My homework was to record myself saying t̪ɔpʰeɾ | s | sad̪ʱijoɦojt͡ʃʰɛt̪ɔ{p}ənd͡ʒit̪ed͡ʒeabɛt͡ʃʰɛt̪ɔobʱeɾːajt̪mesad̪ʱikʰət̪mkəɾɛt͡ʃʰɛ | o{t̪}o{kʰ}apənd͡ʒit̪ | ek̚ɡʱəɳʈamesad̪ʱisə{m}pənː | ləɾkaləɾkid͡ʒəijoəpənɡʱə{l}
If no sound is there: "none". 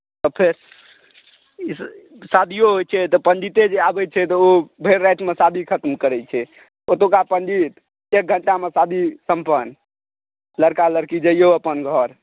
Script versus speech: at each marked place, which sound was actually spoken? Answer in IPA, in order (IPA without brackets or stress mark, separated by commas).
p, t̪, k, m, ɾ